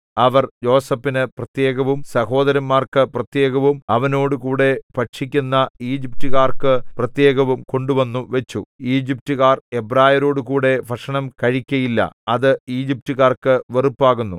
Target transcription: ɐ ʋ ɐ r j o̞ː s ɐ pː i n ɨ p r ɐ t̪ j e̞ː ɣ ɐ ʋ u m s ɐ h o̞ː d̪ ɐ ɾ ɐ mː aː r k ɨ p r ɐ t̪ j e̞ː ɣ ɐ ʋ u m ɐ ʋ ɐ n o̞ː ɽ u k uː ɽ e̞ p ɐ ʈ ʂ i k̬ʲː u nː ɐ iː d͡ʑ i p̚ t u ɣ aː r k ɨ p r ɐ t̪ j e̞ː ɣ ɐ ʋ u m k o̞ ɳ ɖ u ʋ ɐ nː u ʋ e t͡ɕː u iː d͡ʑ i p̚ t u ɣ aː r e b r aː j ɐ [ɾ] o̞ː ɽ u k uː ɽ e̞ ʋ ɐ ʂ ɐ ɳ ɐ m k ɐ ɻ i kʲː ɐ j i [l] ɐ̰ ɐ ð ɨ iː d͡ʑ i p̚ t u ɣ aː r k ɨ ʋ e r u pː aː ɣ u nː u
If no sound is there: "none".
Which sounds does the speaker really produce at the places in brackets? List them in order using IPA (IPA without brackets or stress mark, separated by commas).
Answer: ɾ, lː